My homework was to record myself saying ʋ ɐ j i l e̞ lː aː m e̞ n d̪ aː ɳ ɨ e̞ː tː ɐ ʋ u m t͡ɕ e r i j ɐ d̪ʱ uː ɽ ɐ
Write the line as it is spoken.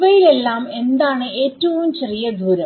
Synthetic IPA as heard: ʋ ɐ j i l e̞ lː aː m e̞ n d̪ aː ɳ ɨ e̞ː tː ɐ ʋ u m t͡ɕ e r i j ɐ d̪ʱ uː ɾ ɐ